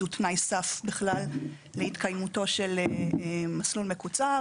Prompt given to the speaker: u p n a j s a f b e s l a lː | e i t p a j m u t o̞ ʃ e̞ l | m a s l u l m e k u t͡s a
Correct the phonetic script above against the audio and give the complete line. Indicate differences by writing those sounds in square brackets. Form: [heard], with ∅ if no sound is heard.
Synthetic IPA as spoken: u [t] n a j s a f b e [χ] l a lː | e i t [k] a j m u t o̞ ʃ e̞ l | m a s l u l m e k u t͡s a